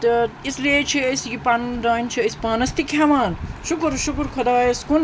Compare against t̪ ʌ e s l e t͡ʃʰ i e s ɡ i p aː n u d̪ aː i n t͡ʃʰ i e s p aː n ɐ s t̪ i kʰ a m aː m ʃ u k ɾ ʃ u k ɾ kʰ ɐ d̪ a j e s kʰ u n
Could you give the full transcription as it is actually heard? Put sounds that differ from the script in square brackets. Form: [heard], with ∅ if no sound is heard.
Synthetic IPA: t̪ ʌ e s l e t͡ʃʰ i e s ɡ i p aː n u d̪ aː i n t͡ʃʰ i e s p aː n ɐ s t̪ i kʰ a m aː [n] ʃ u k ɾ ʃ u k ɾ kʰ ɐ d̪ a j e s [k] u n